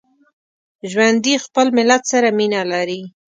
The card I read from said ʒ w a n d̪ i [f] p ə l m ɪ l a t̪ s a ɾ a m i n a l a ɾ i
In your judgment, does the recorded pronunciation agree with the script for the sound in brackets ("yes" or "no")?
no